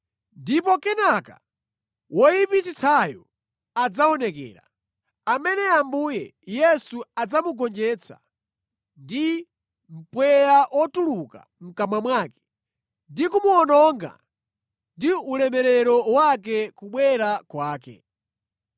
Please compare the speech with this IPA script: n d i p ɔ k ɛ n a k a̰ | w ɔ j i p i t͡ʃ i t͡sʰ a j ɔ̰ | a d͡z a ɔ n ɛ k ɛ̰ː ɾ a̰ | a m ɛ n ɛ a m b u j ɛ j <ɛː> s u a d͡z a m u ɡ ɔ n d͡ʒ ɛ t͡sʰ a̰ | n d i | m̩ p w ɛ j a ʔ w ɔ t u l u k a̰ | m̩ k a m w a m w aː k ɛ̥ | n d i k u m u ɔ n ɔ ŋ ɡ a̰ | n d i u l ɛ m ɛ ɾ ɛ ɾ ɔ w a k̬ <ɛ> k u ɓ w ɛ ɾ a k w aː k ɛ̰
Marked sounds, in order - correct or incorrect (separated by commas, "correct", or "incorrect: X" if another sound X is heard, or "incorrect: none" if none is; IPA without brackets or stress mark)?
incorrect: ɛ, correct